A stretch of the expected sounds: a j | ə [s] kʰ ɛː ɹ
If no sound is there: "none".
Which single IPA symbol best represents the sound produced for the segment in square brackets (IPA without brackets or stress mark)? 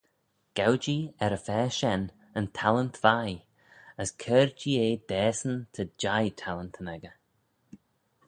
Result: s